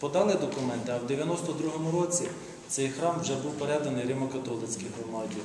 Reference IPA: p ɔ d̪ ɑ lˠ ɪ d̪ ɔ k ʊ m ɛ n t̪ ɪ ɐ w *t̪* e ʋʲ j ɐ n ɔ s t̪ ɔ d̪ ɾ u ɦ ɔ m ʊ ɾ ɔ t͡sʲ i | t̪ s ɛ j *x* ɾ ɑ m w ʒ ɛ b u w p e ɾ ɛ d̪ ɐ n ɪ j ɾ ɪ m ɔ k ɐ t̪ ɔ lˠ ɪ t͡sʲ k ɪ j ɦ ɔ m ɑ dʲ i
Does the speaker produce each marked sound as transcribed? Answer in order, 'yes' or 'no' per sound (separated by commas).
no, yes